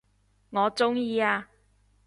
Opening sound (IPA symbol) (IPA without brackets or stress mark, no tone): ŋ